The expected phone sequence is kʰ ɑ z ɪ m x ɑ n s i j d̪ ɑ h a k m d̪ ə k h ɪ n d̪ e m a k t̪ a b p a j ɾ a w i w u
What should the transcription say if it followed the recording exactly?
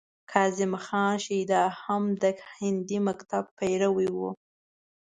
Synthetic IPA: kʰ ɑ z ɪ m x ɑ n ʃ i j d̪ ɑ h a m d̪ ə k h ɪ n d̪ i m a k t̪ a b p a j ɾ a w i w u